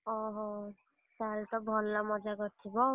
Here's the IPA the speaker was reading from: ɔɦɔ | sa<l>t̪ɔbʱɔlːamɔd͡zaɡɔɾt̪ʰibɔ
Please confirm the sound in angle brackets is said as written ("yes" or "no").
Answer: yes